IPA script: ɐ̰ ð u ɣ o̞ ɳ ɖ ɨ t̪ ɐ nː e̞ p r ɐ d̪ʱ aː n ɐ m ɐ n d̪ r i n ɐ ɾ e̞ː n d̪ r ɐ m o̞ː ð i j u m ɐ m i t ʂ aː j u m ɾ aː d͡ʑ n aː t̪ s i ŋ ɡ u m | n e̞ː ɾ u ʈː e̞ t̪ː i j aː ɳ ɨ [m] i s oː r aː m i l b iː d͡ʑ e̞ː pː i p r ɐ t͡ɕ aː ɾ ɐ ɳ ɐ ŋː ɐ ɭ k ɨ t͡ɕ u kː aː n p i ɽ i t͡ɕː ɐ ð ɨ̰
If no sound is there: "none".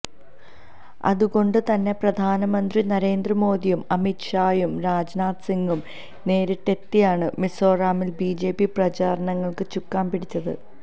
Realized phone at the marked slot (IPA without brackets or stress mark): m